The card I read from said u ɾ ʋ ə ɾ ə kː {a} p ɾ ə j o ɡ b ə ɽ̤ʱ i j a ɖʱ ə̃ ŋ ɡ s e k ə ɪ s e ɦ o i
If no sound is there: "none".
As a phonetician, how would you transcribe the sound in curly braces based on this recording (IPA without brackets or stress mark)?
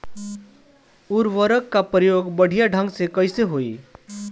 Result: a